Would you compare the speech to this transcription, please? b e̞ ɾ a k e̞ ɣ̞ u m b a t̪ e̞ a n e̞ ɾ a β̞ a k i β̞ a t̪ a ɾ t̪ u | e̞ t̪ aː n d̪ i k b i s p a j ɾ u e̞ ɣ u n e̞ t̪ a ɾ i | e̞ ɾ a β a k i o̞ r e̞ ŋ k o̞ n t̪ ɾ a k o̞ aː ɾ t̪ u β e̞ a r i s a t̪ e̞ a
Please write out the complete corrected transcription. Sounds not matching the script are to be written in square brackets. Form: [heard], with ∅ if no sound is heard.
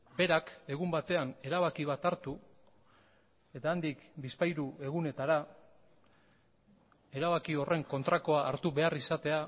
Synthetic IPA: b e̞ ɾ a k e̞ ɣ̞ u m b a t̪ e̞ a n e̞ ɾ a β̞ a k i β̞ a t̪ a ɾ t̪ u | e̞ t̪ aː n d̪ i k b i s p a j ɾ u e̞ ɣ u n e̞ t̪ a ɾ [a] | e̞ ɾ a β a k i o̞ r e̞ ŋ k o̞ n t̪ ɾ a k o̞ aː ɾ t̪ u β e̞ a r i s a t̪ e̞ a